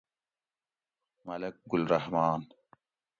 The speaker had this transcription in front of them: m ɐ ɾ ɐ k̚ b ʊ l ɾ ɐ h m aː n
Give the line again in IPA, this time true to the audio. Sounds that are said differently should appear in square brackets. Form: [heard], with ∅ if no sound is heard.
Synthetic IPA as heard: m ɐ [l] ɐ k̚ [ɡ] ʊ l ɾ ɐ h m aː n